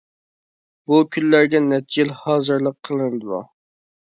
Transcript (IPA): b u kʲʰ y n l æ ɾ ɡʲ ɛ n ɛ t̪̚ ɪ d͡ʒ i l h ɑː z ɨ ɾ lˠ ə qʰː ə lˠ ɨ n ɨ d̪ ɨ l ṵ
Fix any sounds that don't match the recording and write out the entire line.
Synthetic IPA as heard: b u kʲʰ y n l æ ɾ ɡʲ ɛ n ɛ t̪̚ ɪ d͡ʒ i l h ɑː z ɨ ɾ lˠ ə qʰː ə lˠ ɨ n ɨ d̪ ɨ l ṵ